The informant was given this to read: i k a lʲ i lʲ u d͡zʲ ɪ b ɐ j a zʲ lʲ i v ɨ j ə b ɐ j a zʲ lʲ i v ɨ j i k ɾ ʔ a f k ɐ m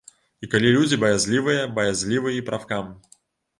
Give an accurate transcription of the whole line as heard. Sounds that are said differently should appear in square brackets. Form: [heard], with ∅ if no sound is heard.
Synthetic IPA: i k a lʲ i lʲ u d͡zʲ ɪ b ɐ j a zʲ lʲ i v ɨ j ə b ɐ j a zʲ lʲ i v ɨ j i [p] ɾ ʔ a f k [a] m